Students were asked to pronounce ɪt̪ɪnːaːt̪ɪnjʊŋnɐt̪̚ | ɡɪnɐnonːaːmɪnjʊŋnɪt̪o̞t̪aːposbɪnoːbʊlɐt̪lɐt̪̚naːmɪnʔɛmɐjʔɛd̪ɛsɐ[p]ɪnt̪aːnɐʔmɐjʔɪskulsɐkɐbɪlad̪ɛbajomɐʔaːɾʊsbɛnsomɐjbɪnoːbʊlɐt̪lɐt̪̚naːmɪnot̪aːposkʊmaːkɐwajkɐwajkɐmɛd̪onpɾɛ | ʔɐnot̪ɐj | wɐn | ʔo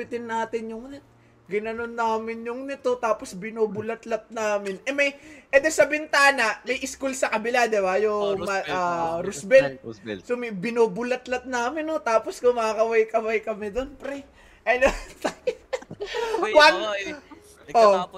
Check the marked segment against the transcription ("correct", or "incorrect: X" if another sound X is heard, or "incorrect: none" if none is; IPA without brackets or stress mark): incorrect: b